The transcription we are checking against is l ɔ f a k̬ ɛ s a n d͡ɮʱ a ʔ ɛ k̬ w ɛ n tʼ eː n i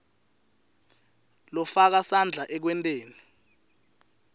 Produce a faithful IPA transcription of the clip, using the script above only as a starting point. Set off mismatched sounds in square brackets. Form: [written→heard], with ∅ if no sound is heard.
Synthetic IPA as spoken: l ɔ f a k̬ [ɛ→a] s a n d͡ɮʱ a ʔ ɛ k̬ w ɛ n tʼ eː n i